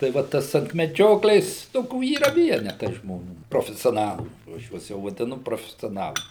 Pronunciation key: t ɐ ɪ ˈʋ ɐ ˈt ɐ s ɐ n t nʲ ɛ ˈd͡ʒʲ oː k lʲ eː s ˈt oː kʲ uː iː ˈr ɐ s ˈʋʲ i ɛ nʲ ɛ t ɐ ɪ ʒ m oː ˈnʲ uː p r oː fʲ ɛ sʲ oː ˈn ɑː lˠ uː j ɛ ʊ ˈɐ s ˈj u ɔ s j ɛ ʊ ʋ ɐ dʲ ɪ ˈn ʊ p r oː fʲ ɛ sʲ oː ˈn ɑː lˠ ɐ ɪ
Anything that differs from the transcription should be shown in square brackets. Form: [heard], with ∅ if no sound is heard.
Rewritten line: t ɐ ɪ ˈʋ ɐ ˈt ɐ s ɐ n t [mʲ] ɛ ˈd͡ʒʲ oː k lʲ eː s ˈt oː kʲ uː iː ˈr ɐ [∅] ˈʋʲ i ɛ nʲ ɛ t ɐ ɪ ʒ m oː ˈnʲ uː p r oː fʲ ɛ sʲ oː ˈn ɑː lˠ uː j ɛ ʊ ˈɐ [ʃ] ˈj u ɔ s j ɛ ʊ ʋ ɐ dʲ ɪ ˈn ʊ p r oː fʲ ɛ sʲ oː ˈn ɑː lˠ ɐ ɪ